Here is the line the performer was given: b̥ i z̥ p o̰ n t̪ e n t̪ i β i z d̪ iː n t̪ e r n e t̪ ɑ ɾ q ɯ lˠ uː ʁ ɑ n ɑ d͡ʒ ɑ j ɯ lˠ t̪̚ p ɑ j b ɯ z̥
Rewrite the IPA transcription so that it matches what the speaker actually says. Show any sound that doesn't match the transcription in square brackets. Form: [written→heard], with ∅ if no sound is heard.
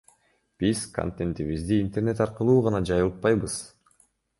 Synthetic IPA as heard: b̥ i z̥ [p→k] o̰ n t̪ e n t̪ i β i z d̪ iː n t̪ e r n e t̪ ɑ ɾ q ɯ lˠ uː ʁ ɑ n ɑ d͡ʒ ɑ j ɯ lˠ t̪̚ p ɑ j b ɯ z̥